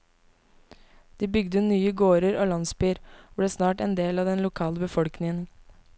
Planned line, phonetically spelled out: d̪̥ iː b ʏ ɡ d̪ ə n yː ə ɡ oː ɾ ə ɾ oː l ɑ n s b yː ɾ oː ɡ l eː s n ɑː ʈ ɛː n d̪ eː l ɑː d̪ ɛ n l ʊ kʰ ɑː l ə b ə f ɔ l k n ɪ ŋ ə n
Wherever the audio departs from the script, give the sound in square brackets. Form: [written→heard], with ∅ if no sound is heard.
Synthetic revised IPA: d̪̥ iː b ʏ ɡ d̪ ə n yː ə ɡ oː ɾ ə ɾ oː l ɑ n s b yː ɾ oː [ɡ→b] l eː s n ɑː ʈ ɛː n d̪ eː l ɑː d̪ ɛ n l ʊ kʰ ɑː l ə b ə f ɔ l k n ɪ ŋ ə n